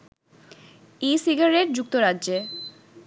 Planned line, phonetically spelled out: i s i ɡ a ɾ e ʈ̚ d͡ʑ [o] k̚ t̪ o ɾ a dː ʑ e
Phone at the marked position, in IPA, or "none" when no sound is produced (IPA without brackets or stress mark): u